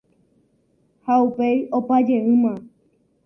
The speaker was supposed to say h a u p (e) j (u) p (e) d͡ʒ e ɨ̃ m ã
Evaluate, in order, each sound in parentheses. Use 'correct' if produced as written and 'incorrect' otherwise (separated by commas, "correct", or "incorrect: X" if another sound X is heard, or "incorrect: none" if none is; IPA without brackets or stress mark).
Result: correct, incorrect: o, incorrect: a